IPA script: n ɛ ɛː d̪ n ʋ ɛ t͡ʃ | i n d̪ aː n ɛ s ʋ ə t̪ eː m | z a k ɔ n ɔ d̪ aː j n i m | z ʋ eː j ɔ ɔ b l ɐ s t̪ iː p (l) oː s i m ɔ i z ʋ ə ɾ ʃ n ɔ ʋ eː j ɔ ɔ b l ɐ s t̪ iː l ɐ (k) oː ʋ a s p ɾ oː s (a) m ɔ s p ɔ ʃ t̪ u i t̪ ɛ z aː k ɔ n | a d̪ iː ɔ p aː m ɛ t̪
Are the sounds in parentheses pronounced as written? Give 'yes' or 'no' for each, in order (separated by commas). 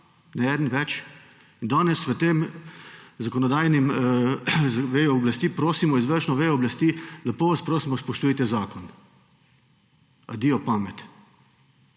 no, no, no